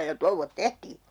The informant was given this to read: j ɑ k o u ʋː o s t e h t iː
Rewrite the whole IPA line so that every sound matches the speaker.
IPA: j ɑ t o u ʋː o t t e h t iː